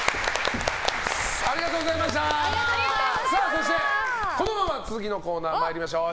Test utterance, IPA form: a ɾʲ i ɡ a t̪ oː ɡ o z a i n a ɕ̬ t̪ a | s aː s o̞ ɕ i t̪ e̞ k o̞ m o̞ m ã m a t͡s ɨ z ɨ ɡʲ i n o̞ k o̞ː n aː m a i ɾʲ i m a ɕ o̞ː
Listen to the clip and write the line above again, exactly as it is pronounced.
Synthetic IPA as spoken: a ɾʲ i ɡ a t̪ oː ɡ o z a i m a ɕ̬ t̪ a | s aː s o̞ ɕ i t̪ e̞ k o̞ n o̞ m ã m a t͡s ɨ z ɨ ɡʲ i n o̞ k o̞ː n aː m a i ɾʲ i m a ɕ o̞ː